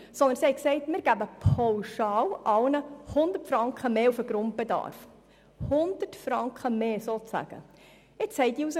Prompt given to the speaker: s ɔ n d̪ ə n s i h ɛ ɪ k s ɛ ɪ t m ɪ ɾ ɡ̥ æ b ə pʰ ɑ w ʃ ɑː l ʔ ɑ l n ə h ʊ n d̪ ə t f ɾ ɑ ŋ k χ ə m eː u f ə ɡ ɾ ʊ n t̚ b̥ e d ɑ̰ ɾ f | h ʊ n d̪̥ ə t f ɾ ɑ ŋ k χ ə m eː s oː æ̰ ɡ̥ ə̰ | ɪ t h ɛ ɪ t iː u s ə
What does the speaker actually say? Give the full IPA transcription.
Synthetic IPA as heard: s ɔ n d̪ ə n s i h ɛ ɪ k s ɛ ɪ t m ɪ ɾ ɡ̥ æ b ə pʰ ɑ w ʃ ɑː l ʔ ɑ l n ə h ʊ n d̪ ə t f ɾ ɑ ŋ k χ ə m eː u f ə ɡ ɾ ʊ n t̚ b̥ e d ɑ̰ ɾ f | h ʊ n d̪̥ ə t f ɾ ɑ ŋ k χ ə m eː s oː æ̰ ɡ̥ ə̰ | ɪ t͡s h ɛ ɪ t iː u s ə